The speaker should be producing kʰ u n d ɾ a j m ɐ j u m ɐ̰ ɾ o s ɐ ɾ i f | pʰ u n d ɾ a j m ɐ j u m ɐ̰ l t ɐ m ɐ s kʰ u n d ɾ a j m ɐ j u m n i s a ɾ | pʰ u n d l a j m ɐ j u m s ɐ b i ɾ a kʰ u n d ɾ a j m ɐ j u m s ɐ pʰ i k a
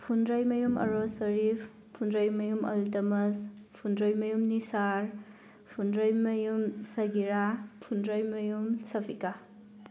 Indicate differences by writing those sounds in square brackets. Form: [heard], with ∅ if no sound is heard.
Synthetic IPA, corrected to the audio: [pʰ] u n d ɾ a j m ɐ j u m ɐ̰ ɾ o s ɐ ɾ i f | pʰ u n d ɾ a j m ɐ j u m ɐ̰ l t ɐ m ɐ s [pʰ] u n d ɾ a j m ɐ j u m n i s a ɾ | pʰ u n d [ɾ] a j m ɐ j u m s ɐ [ɡ] i ɾ a [pʰ] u n d ɾ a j m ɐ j u m s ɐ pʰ i k a

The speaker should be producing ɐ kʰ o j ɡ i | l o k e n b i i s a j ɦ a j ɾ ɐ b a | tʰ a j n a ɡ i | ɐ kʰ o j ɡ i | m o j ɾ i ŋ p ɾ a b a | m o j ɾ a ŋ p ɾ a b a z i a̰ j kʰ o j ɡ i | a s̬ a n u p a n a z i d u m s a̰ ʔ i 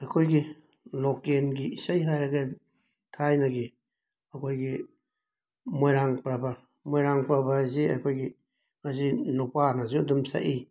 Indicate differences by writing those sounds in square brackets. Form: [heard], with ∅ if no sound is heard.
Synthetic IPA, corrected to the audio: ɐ kʰ o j ɡ i | l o k e n [ɡ] i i s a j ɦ a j ɾ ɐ [ɡ] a | tʰ a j n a ɡ i | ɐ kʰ o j ɡ i | m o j ɾ [a] ŋ p ɾ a b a | m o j ɾ a ŋ p ɾ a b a z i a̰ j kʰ o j ɡ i | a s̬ [i] n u p a n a z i d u m s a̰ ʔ i

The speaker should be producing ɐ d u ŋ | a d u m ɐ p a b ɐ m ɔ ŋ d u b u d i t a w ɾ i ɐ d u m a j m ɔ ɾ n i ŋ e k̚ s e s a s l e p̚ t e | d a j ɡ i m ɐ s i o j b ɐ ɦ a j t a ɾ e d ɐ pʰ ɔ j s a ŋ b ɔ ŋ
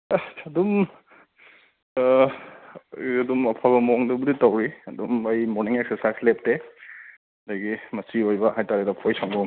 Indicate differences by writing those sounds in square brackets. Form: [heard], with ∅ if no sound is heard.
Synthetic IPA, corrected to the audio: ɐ d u [m] | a d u m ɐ [pʰ] a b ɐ m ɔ ŋ d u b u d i t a w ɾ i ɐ d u m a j m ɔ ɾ n i ŋ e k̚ s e s a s l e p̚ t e | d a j ɡ i m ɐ s i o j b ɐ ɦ a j t a ɾ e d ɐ pʰ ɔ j s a ŋ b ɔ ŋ

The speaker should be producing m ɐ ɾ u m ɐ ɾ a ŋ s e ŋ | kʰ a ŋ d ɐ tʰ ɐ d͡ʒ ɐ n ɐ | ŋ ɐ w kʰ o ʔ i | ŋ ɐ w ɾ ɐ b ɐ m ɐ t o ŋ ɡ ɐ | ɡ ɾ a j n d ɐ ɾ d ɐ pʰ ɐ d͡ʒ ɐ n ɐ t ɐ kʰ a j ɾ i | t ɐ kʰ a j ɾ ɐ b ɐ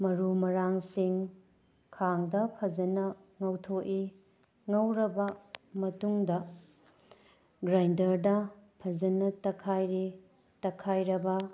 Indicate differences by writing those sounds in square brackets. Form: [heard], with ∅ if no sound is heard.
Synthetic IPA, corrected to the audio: m ɐ ɾ u m ɐ ɾ a ŋ s [i] ŋ | kʰ a ŋ d ɐ [pʰ] ɐ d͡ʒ ɐ n ɐ | ŋ ɐ w [tʰ] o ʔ i | ŋ ɐ w ɾ ɐ b ɐ m ɐ t [u] ŋ [d] ɐ | ɡ ɾ a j n d ɐ ɾ d ɐ pʰ ɐ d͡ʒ ɐ n ɐ t ɐ kʰ a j ɾ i | t ɐ kʰ a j ɾ ɐ b ɐ

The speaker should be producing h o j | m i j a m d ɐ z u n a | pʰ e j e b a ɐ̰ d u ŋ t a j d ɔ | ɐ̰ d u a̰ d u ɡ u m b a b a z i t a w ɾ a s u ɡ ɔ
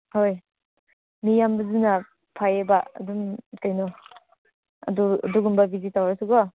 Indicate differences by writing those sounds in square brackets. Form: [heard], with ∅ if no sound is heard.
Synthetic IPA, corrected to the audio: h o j | m i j a m [b] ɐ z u n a | pʰ [a] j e b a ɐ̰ d u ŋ t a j [n] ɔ | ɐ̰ d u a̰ d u ɡ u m b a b [i] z i t a w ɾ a s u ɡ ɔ

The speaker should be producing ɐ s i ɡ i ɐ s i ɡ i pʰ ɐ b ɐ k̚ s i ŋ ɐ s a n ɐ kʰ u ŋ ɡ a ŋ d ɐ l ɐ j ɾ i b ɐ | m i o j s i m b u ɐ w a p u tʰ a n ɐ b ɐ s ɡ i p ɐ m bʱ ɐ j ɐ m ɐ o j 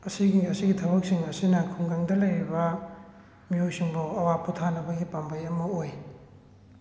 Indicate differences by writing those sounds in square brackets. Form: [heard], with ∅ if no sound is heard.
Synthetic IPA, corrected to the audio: ɐ s i ɡ i ɐ s i ɡ i [tʰ] ɐ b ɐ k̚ s i ŋ ɐ s [i] n ɐ kʰ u ŋ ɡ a ŋ d ɐ l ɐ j ɾ i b ɐ | m i o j s i [ŋ] b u ɐ w a p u tʰ a n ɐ b ɐ [∅] ɡ i p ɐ m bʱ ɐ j ɐ m ɐ o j

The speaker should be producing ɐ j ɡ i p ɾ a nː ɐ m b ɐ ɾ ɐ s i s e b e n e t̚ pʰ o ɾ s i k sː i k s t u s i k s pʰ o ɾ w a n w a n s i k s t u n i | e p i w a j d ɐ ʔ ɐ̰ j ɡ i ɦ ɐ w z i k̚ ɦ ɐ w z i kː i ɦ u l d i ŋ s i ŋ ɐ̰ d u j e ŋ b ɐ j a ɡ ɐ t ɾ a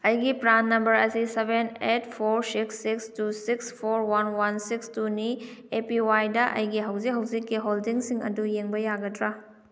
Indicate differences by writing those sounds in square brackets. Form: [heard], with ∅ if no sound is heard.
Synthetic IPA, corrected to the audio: ɐ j ɡ i p ɾ a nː ɐ m b ɐ ɾ ɐ s i s e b e n e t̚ pʰ o ɾ s i k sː i k s t u s i k s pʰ o ɾ w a n w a n s i k s t u n i | e p i w a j d ɐ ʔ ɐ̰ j ɡ i ɦ ɐ w z i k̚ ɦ ɐ w z i kː i ɦ [o] l d i ŋ s i ŋ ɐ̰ d u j e ŋ b ɐ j a ɡ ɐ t ɾ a

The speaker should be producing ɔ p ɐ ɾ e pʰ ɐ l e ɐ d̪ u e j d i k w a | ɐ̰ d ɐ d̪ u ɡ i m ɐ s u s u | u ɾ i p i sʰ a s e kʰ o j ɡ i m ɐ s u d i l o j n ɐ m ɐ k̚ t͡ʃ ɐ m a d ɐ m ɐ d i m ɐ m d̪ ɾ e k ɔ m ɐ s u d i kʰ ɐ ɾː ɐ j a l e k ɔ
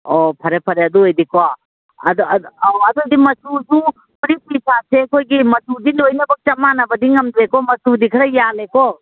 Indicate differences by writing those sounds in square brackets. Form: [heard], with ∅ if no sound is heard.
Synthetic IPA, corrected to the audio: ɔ [pʰ] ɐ ɾ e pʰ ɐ [ɾ] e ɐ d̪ u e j d i k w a | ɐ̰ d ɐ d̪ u [d] i m ɐ s u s u | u ɾ i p i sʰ a s e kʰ o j ɡ i m ɐ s u d i l o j n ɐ [b] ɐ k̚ t͡ʃ ɐ m a [n] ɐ [b] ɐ d i [ŋ] ɐ m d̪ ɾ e k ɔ m ɐ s u d i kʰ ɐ [ɾ] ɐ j a l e k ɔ

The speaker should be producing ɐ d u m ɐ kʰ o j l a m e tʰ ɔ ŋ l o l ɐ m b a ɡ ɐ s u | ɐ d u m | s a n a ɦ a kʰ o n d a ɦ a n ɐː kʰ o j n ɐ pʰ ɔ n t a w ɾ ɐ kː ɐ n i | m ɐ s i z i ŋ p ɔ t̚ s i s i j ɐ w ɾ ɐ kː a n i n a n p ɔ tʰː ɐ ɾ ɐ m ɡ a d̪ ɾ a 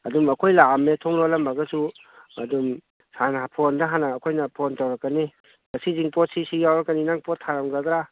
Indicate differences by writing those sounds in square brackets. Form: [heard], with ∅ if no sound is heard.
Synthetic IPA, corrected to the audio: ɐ d u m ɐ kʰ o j l a m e tʰ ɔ ŋ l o l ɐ m b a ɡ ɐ s u | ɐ d u m | s a n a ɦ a [pʰ] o n d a ɦ a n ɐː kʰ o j n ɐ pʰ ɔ n t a w ɾ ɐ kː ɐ n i | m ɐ s i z i ŋ p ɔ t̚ s i s i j [a] w ɾ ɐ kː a n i n a [ŋ] p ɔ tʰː [a] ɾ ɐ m ɡ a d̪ ɾ a

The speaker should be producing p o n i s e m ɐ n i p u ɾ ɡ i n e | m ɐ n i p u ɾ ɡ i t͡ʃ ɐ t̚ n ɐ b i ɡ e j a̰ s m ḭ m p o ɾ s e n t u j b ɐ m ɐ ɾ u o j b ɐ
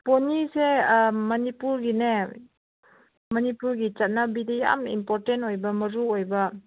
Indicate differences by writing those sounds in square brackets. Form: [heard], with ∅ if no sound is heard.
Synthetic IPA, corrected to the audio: p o n i s e m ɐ n i p u ɾ ɡ i n e | m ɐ n i p u ɾ ɡ i t͡ʃ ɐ t̚ n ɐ b i [d] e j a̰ [∅] m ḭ m p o ɾ [t] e n t [o] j b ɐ m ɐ ɾ u o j b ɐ

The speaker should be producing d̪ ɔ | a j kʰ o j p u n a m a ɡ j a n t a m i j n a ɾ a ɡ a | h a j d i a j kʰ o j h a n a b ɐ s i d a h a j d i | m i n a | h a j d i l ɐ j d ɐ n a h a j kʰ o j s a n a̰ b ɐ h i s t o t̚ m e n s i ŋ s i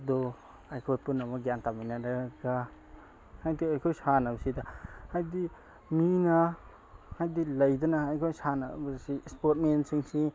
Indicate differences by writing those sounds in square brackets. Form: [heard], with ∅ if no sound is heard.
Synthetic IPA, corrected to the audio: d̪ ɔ | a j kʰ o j p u n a m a ɡ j a n t a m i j n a ɾ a ɡ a | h a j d i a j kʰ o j [s] a n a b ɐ s i d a h a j d i | m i n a | h a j d i l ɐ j d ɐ n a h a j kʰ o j s a n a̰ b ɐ [s] i s [p] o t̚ m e n s i ŋ s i

